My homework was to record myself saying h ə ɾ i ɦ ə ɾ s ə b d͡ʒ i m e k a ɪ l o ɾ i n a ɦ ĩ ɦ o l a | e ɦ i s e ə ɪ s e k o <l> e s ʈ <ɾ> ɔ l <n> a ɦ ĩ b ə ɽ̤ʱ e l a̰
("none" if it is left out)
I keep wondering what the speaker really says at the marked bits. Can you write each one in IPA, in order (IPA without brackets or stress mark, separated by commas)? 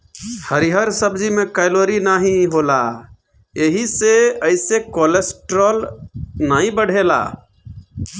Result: l, ɾ, n